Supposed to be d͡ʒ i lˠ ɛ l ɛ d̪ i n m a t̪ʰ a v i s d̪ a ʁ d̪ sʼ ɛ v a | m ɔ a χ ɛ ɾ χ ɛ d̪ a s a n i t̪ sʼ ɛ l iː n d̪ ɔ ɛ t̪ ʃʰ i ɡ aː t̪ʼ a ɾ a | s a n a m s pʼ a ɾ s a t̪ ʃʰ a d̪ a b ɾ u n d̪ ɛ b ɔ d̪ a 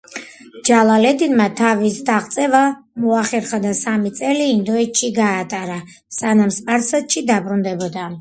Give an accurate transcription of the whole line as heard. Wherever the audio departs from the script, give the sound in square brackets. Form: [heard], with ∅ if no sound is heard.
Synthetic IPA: d͡ʒ [a] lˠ [a] l ɛ d̪ i n m a t̪ʰ a v i s d̪ a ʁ [t̪] sʼ ɛ v a | m ɔ a χ ɛ ɾ χ [a] d̪ a s a [m] i t̪ sʼ ɛ l iː n d̪ ɔ ɛ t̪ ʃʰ i ɡ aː t̪ʼ a ɾ a | s a n a m s pʼ a ɾ s a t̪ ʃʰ [i] d̪ a b ɾ u n d̪ ɛ b ɔ d̪ a